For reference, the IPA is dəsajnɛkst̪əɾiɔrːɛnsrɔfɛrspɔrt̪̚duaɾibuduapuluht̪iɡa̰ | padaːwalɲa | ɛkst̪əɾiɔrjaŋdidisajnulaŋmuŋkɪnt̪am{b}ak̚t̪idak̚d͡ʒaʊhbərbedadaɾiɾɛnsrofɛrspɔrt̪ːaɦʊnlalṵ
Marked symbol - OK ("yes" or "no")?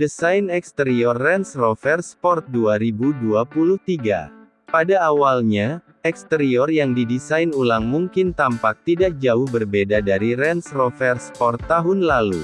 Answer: no